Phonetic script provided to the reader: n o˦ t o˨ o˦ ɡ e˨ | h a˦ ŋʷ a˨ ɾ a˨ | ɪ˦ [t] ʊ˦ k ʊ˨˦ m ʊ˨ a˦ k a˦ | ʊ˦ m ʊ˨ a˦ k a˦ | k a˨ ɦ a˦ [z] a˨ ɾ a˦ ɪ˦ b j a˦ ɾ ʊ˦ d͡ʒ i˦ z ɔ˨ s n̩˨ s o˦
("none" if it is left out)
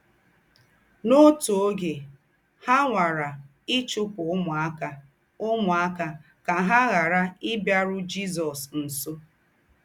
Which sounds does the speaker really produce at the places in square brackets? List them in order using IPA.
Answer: t͡ʃ, ɣ

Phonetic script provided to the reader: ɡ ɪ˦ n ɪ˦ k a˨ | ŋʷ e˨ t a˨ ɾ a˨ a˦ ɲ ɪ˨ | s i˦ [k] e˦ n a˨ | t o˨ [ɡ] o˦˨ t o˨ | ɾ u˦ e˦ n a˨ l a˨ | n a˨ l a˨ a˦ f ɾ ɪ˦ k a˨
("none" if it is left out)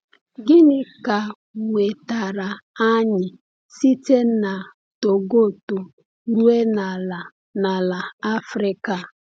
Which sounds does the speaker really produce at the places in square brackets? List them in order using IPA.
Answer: t, ɡ

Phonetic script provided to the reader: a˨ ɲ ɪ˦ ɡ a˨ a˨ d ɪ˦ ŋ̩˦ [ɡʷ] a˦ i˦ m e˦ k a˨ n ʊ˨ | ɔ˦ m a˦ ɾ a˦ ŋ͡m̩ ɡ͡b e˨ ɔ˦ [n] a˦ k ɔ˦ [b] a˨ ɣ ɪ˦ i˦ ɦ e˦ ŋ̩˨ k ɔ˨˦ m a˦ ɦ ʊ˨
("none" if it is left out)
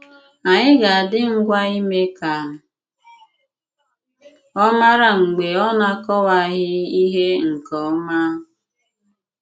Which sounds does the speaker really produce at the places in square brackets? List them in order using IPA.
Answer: ɡʷ, n, w

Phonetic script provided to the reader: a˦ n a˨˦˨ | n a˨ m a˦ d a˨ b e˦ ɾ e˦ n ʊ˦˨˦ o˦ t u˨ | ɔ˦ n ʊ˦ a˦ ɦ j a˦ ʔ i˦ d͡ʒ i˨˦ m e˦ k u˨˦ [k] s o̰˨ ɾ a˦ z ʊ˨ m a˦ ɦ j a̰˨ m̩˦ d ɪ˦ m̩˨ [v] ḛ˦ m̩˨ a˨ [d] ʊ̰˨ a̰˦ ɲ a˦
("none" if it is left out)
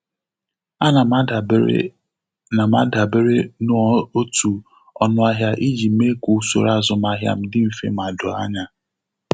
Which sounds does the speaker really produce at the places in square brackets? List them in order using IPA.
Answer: none, f, d

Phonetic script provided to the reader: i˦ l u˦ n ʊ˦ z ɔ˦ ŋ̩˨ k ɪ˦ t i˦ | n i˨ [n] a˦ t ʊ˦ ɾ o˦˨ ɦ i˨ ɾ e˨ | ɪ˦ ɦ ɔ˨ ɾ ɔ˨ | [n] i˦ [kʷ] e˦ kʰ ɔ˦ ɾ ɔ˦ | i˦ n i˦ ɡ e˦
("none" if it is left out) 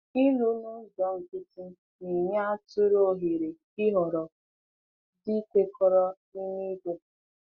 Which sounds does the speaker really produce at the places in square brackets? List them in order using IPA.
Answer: ɲ, d, kʷ

